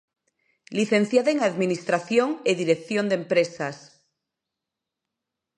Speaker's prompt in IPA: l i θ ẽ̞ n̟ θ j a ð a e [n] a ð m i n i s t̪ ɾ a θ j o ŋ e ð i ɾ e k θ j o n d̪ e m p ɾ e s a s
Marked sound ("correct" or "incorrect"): incorrect